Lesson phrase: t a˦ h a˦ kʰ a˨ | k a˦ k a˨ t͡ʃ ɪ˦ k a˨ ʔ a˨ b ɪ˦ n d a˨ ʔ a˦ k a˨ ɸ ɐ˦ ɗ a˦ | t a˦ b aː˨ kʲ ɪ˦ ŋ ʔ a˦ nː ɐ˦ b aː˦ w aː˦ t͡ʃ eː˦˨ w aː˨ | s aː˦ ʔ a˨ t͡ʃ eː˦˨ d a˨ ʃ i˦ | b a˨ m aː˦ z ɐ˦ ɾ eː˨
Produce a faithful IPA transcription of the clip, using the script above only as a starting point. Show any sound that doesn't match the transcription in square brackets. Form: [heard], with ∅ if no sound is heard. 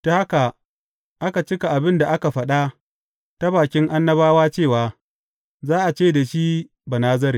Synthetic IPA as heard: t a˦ h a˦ [k] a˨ | [ʔ] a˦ k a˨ t͡ʃ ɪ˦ k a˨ ʔ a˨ b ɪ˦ n d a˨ ʔ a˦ k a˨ ɸ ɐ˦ ɗ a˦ | t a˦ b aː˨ kʲ ɪ˦ ŋ ʔ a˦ nː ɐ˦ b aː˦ w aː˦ t͡ʃ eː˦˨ w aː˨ | [z] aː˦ ʔ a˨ t͡ʃ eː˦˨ d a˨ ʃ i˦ | b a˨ [n] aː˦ z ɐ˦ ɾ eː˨